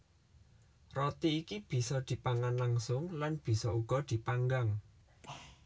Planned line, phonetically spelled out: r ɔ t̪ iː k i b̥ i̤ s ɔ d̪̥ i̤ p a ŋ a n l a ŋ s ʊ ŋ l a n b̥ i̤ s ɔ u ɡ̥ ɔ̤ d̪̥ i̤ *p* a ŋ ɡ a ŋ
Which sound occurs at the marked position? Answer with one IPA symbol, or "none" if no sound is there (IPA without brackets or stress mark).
p